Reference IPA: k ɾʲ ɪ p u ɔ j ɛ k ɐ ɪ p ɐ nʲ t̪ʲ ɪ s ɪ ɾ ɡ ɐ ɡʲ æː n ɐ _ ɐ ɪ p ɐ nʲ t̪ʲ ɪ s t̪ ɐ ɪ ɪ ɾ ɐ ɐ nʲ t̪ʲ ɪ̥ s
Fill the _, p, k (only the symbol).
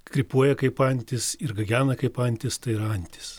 k